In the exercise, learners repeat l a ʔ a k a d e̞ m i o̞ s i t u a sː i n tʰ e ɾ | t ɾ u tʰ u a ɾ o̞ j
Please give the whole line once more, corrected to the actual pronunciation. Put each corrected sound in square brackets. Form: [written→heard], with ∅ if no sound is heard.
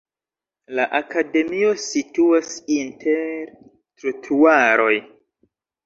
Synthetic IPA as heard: l a ʔ a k a d e̞ m i o̞ s i t u a [sː→s] i n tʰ e ɾ | t ɾ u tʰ u a ɾ o̞ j